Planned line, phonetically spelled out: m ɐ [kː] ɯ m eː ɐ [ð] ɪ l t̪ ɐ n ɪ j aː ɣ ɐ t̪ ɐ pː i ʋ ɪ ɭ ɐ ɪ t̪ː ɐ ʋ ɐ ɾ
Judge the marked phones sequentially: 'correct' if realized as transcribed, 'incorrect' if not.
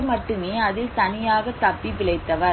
incorrect, correct

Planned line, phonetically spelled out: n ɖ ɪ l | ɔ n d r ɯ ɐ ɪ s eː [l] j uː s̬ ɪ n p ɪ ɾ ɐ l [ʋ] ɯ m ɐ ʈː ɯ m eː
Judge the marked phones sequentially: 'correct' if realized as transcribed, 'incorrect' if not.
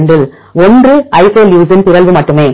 correct, correct

